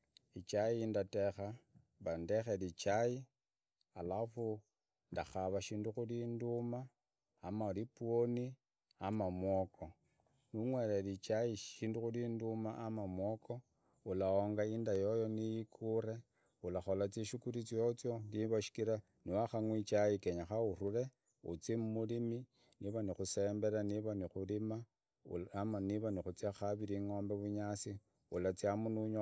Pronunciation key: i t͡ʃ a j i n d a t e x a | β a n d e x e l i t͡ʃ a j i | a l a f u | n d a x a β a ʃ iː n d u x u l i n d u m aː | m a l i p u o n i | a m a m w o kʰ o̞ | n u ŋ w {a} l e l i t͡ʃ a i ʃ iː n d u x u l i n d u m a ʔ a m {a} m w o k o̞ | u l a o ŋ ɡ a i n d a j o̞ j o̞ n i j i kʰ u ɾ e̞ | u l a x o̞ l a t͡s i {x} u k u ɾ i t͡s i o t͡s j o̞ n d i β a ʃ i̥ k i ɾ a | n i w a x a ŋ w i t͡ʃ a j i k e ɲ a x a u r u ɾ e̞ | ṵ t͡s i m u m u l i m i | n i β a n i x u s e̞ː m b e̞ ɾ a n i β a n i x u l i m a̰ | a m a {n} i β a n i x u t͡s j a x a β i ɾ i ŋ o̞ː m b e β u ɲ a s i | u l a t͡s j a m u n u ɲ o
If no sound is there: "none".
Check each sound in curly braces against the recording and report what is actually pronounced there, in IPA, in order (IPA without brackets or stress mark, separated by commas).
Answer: e, a, ʃ, n